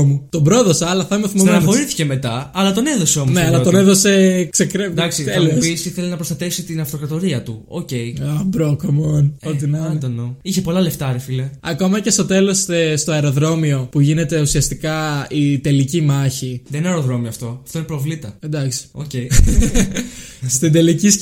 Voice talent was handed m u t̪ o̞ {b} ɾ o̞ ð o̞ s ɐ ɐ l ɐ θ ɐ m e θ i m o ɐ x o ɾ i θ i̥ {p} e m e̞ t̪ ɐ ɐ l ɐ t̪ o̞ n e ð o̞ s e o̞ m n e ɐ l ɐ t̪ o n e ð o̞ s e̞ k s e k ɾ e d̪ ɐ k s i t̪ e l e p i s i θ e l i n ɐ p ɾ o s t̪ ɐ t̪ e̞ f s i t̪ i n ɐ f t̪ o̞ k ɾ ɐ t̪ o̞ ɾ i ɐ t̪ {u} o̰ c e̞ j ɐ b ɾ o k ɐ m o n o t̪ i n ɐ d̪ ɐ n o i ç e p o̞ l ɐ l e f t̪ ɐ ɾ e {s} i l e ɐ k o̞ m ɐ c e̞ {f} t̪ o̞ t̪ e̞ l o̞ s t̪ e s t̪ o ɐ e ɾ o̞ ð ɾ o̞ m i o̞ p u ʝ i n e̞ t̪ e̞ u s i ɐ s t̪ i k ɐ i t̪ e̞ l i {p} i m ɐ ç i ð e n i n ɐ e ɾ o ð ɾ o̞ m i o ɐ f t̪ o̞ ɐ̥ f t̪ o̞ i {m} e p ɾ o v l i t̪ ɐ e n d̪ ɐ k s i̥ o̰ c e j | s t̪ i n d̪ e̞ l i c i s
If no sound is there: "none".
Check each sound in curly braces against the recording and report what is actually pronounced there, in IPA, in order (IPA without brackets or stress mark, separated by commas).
b, c, u, f, s, c, n